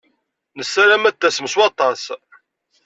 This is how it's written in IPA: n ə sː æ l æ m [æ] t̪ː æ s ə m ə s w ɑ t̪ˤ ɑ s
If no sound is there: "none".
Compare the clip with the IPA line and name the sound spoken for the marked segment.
æ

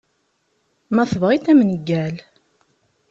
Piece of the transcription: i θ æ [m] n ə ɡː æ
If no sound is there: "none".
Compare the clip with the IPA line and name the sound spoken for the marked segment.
m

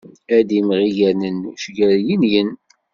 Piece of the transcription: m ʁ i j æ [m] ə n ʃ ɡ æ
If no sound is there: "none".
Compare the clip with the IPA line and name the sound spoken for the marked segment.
n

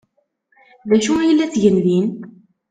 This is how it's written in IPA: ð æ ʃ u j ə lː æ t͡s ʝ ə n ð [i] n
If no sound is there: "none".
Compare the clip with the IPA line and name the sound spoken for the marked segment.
i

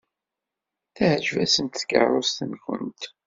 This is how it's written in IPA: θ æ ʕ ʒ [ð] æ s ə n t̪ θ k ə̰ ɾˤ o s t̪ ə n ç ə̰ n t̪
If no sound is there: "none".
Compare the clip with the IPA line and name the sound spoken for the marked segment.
v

